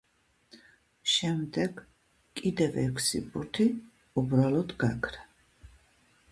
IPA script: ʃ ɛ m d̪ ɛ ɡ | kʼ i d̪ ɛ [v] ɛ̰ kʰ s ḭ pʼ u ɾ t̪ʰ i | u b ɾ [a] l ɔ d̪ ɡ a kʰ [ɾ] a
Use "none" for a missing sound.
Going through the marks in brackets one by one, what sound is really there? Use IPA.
v, a, ɾ

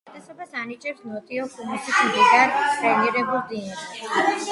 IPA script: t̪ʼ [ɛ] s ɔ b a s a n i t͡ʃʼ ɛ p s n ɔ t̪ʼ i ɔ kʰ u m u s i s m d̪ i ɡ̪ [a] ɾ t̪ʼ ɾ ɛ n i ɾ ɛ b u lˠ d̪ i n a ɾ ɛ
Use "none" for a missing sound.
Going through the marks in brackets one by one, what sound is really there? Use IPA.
ɛ, a

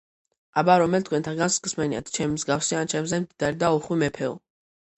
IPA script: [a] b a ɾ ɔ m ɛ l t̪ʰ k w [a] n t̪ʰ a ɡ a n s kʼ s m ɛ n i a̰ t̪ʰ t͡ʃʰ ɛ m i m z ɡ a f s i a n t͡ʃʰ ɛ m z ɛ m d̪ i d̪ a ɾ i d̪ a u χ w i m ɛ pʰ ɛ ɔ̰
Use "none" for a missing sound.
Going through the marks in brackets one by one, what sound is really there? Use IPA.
a, ɛ

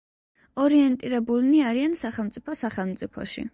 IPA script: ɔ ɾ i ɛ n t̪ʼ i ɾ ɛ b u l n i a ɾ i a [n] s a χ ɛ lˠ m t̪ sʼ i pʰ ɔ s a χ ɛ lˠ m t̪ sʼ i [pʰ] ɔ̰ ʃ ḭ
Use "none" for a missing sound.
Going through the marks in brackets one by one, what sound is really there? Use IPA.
n, pʰ

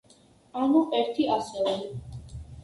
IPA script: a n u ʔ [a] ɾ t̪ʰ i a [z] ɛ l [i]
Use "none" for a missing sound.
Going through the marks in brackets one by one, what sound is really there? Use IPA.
ɛ, s, ɛ

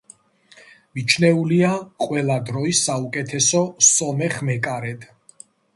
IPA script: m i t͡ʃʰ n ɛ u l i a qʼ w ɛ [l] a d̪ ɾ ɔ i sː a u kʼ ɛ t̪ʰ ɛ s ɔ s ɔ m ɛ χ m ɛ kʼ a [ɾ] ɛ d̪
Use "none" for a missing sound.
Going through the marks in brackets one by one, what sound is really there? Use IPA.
l, ɾ

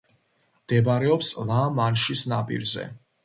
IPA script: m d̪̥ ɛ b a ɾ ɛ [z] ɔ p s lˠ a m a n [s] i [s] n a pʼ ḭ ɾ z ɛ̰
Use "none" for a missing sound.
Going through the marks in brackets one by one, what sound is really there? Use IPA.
none, ʃ, s

